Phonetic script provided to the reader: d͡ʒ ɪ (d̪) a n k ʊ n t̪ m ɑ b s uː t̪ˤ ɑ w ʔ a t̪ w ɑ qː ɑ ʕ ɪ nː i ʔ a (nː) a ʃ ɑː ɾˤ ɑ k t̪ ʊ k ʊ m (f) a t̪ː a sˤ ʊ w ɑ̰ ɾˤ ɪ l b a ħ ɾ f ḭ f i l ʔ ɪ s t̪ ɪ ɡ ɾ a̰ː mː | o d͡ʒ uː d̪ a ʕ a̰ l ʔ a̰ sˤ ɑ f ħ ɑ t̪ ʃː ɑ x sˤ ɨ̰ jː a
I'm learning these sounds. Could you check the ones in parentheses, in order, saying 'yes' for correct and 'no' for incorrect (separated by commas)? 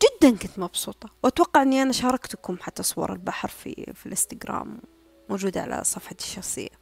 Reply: no, no, no